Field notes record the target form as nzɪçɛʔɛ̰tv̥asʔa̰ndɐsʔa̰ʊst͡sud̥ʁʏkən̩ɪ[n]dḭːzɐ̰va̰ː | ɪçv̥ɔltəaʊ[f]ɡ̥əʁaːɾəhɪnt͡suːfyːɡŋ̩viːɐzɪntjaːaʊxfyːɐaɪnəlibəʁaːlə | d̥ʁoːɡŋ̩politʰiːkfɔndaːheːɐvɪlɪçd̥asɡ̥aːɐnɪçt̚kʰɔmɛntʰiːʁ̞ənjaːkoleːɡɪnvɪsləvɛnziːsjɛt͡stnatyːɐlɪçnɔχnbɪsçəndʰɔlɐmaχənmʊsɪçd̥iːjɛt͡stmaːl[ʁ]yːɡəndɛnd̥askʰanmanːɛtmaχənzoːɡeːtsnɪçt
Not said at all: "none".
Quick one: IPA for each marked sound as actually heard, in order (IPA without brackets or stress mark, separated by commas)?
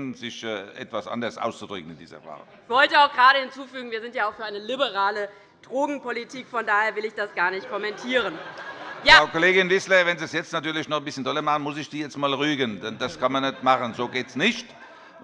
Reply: n, x, ʁ